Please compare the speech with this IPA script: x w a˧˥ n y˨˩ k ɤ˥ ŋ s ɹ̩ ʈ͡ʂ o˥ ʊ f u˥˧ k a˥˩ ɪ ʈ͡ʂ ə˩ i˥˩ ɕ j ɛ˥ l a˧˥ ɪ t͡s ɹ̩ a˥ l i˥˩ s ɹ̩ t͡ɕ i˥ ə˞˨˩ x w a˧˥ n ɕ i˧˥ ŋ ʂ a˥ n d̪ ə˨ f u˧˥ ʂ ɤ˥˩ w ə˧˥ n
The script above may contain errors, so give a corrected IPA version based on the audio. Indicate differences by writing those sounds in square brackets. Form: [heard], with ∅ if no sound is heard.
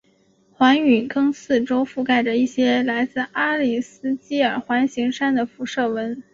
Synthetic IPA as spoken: x w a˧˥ n y˨˩ k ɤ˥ ŋ s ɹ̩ ʈ͡ʂ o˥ ʊ f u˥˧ k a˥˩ ɪ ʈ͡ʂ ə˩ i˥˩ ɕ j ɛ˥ l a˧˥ ɪ t͡s ɹ̩ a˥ l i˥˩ s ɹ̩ t͡ɕ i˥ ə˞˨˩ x w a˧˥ n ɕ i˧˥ ŋ ʂ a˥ n d̪ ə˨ f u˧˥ ʂ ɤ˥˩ w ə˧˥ n